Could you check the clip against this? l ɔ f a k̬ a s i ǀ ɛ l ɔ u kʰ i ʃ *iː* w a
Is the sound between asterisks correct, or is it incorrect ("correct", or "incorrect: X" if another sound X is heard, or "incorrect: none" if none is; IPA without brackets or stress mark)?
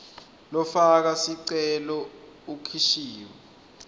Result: correct